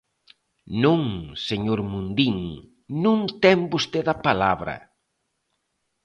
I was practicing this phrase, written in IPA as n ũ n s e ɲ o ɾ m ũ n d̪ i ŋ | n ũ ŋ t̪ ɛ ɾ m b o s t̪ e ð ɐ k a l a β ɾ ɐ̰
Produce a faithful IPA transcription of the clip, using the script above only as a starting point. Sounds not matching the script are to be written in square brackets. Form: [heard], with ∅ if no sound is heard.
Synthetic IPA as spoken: n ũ [ŋ] s e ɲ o ɾ m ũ n d̪ i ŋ | n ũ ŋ t̪ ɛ [∅] m b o s t̪ e ð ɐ [p] a l a β ɾ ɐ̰